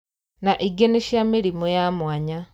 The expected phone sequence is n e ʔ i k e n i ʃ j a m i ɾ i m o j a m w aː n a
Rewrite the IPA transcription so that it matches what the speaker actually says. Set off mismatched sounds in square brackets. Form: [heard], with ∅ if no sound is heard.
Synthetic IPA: n [a] ʔ i [ɡ] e n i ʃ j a m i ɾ i m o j a m w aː [ɲ] a